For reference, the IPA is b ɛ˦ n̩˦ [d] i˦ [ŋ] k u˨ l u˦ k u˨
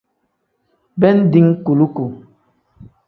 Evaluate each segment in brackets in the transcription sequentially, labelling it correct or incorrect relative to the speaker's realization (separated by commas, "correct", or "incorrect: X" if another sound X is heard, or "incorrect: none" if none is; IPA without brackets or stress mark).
correct, correct